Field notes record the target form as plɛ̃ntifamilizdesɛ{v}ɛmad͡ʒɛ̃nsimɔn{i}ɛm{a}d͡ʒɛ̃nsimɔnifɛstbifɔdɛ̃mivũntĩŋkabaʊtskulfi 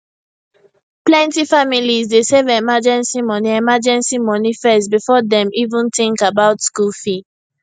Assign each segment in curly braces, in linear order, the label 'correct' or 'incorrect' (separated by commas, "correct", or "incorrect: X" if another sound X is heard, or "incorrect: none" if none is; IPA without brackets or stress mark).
correct, correct, correct